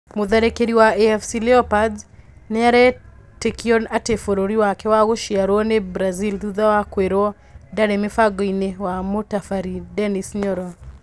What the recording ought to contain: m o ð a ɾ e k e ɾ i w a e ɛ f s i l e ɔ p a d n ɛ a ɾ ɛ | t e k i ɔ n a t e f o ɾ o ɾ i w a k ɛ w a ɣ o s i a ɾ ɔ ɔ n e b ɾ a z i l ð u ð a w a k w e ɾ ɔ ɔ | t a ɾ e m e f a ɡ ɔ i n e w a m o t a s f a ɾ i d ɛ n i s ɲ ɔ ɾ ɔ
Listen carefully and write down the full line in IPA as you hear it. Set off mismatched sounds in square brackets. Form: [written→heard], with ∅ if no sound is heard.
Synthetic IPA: m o ð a ɾ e k e ɾ i w a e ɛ f s i l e ɔ p a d n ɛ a ɾ ɛ | t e k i ɔ n a t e f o ɾ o ɾ i w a k ɛ w a ɣ o [s→ʃ] i a ɾ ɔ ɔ n e b ɾ a z i l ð u ð a w a k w e ɾ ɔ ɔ | [t→d] a ɾ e m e f a ɡ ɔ i n e w a m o t a [s→∅] f a ɾ i d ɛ n i s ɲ ɔ ɾ ɔ